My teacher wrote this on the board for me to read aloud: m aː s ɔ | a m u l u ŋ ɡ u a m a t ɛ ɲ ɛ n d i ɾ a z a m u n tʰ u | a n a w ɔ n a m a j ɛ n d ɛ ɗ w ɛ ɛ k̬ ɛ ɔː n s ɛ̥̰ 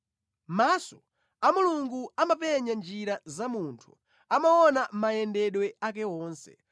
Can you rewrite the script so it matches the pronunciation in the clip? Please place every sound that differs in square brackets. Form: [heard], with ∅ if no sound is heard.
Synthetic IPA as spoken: m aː s ɔ | a m u l u ŋ ɡ u a m a [p] ɛ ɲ [a] n [d͡ʒ] i ɾ a z a m u n tʰ u | a [m] a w ɔ n a m a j ɛ n d ɛ ɗ w ɛ [a] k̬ ɛ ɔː n s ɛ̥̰